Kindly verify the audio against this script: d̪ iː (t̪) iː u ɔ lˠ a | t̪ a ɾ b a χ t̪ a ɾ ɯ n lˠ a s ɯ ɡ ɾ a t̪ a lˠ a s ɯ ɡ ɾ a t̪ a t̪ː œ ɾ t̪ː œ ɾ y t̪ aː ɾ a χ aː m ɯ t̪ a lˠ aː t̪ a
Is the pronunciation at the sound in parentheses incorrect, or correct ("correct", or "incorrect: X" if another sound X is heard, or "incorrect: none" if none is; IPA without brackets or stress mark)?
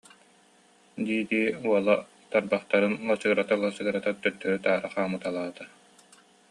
incorrect: d̪